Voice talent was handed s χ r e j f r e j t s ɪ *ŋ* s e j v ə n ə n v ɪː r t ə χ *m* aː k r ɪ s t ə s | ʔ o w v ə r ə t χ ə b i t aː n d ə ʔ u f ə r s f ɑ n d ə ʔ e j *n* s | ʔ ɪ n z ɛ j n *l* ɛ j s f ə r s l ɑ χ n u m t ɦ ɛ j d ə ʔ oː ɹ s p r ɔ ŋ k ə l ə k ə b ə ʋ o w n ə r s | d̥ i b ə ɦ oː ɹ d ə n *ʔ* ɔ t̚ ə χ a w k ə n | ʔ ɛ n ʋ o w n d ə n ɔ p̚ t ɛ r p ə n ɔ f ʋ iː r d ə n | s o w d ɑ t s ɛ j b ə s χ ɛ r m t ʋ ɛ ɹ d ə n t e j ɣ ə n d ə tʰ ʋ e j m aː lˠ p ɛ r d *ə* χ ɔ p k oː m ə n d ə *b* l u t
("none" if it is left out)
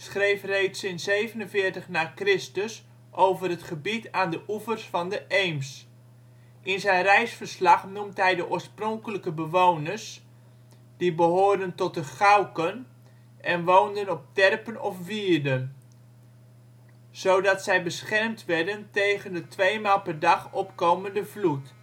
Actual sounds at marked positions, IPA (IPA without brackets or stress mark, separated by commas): n, n, m, r, t, ɑ, v